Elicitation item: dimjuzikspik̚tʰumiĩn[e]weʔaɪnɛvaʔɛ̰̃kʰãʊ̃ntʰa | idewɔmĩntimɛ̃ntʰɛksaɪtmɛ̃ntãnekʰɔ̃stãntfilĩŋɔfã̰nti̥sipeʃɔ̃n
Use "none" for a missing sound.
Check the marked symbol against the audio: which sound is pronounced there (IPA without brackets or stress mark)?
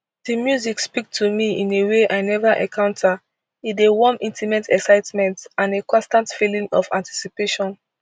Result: e